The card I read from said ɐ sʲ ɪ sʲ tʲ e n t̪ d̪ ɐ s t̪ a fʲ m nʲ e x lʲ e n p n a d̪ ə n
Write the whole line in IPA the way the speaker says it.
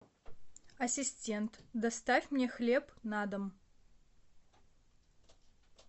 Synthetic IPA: ɐ sʲ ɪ sʲ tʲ e n t̪ d̪ ɐ s t̪ a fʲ m nʲ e x lʲ e p n a d̪ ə m